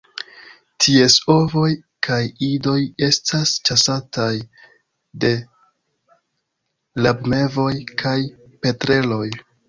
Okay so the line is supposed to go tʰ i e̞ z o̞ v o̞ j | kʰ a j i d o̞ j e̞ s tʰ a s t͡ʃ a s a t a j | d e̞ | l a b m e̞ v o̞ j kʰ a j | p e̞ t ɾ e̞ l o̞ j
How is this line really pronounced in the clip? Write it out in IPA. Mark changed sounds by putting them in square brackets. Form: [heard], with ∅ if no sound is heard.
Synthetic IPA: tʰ i e̞ [s] o̞ v o̞ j | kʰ a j i d o̞ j e̞ s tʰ a s t͡ʃ a s a t a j | d e̞ | l a b m e̞ v o̞ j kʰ a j | p e̞ t ɾ e̞ l o̞ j

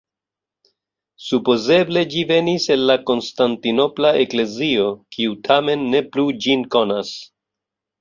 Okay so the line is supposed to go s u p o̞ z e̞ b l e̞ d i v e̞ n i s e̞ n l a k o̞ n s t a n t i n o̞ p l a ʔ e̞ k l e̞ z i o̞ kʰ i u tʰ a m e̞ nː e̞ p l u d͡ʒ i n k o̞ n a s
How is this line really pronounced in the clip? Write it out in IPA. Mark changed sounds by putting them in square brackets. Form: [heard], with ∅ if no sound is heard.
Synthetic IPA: s u p o̞ z e̞ b l e̞ [d͡ʒ] i v e̞ n i s e̞ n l a k o̞ n s t a n t i n o̞ p l a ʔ e̞ k l e̞ z i o̞ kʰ i u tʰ a m e̞ nː e̞ p l u d͡ʒ i n k o̞ n a s

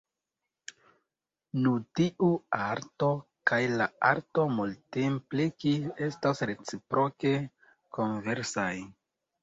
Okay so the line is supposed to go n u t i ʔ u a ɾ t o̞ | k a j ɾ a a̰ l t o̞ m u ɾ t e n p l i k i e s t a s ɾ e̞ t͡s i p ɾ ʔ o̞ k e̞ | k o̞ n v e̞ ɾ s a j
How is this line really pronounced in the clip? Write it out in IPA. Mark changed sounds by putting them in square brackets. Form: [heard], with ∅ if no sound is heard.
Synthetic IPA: n u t i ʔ u a ɾ t o̞ | k a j [l] a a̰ [ɾ] t o̞ m u [l] t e [m] p l i k i e s t a s ɾ e̞ t͡s i p ɾ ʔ o̞ k e̞ | k o̞ n v e̞ ɾ s a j

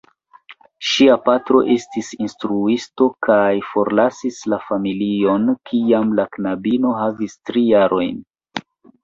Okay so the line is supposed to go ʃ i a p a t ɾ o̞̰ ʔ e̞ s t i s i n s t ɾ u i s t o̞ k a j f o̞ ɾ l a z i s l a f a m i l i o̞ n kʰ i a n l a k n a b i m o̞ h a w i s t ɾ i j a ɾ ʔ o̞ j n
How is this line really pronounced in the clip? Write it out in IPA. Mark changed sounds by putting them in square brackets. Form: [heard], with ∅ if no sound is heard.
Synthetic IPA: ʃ i a p a t ɾ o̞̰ ʔ e̞ s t i s i n s t ɾ u i s t o̞ k a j f o̞ ɾ l a [s] i s l a f a m i l i o̞ n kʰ i a [m] l a k n a b i [n] o̞ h a [v] i s t ɾ i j a ɾ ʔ o̞ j n

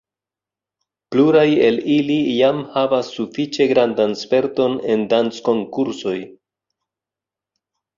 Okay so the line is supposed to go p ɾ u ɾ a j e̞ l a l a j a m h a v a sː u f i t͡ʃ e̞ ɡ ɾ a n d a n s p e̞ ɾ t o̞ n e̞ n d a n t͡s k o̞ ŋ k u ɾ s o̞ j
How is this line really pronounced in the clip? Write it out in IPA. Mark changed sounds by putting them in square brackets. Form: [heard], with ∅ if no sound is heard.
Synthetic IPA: p [l] u ɾ a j e̞ l [i] l [i] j a m h a v a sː u f i t͡ʃ e̞ ɡ ɾ a n d a n s p e̞ ɾ t o̞ n e̞ n d a n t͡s k o̞ ŋ k u ɾ s o̞ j

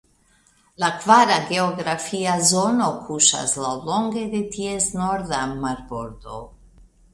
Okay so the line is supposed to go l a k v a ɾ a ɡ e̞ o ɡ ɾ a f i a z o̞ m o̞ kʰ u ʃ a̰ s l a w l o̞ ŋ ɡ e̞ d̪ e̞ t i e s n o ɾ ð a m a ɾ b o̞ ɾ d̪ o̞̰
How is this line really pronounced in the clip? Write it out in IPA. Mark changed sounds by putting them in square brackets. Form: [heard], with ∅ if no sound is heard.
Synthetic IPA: l a k v a ɾ a ɡ e̞ o ɡ ɾ a f i a z o̞ [n] o̞ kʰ u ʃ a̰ s l a w l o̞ ŋ ɡ e̞ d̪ e̞ t i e s n o ɾ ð a m a ɾ b o̞ ɾ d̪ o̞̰

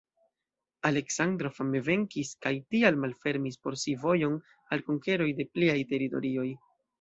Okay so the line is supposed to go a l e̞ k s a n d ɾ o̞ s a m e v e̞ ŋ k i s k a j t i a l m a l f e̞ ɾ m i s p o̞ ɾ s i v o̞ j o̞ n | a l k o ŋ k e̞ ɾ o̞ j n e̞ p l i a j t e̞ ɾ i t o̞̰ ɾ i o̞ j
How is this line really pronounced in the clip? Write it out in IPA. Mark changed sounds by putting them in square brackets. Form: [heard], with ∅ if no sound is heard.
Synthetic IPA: a l e̞ k s a n d ɾ o̞ [f] a m e v e̞ ŋ k i s k a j t i a l m a l f e̞ ɾ m i s p o̞ ɾ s i v o̞ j o̞ n | a l k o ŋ k e̞ ɾ o̞ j [d] e̞ p l i a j t e̞ ɾ i t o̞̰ ɾ i o̞ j

